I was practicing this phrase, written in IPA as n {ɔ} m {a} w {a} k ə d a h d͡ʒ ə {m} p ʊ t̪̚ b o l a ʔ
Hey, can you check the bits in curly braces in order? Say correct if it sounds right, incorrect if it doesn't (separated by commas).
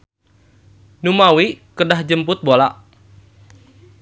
incorrect, correct, incorrect, correct